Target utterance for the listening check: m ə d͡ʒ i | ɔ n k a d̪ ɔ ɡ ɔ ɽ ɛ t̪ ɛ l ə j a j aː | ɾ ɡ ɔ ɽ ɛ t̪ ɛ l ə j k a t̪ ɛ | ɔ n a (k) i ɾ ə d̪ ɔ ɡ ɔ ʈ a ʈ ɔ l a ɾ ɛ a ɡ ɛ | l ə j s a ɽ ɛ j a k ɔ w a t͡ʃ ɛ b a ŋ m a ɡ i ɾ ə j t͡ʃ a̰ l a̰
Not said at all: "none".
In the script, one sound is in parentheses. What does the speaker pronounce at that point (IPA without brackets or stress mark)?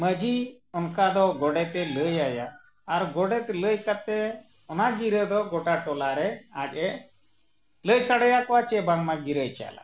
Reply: ɡ